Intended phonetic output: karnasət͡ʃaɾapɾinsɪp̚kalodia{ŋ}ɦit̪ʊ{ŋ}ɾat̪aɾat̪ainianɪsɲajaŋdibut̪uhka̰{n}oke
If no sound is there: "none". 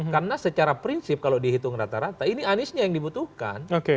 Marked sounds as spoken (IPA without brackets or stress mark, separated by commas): none, ŋ, n